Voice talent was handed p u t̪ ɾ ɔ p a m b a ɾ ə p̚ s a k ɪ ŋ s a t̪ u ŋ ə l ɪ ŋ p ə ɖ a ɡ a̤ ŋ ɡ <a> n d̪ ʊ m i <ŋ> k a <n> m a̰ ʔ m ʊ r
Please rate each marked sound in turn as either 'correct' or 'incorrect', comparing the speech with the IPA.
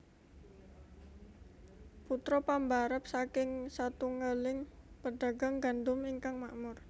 correct, correct, incorrect: ŋ

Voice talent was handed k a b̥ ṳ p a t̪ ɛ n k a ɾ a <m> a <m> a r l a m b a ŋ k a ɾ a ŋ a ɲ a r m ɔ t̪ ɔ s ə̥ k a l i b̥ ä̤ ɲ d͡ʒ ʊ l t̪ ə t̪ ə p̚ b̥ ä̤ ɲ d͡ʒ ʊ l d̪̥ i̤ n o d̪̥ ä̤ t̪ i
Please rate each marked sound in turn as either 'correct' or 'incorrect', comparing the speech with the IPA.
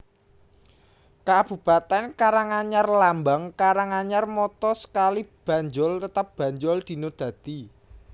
incorrect: ŋ, incorrect: ɲ

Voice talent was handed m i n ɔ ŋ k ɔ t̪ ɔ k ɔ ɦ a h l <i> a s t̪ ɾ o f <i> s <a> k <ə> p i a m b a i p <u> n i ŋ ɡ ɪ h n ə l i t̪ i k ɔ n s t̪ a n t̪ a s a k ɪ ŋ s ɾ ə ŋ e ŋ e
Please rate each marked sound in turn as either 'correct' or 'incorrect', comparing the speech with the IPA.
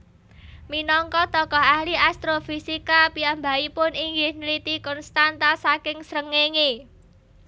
correct, correct, incorrect: i, incorrect: a, incorrect: ʊ

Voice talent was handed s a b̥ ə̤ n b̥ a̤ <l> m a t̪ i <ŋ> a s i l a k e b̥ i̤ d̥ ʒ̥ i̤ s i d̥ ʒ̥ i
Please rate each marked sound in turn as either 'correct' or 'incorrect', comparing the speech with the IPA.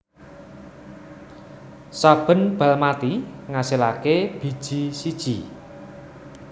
correct, correct

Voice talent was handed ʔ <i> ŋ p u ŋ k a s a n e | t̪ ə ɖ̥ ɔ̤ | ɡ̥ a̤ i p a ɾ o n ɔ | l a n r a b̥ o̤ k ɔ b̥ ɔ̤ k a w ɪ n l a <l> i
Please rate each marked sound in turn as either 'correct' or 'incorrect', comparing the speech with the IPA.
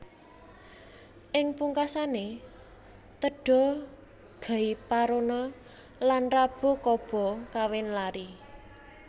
incorrect: ɪ, incorrect: ɾ

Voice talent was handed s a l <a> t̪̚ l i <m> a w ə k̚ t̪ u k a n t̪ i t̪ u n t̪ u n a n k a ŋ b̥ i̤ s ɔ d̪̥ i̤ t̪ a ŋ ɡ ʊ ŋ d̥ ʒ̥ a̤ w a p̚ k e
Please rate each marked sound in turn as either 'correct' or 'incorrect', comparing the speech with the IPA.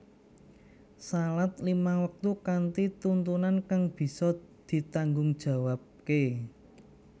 correct, correct

